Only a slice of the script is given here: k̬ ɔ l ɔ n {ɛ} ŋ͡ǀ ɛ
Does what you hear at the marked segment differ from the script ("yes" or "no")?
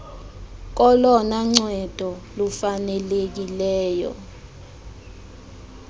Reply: yes